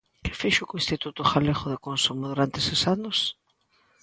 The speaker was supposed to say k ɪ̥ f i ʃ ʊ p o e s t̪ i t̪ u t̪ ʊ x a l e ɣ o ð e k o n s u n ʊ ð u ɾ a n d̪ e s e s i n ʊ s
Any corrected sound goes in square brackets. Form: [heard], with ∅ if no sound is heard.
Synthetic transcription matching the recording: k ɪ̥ f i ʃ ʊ [k] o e s t̪ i t̪ u t̪ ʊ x a l e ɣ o ð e k o n s u [m] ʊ ð u ɾ a n [t̪] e s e s [a] n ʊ s